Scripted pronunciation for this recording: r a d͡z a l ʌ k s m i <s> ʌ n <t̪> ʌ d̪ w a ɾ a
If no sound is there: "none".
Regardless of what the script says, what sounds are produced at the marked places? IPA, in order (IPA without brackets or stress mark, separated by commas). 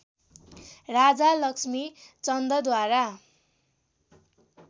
t͡s, d̪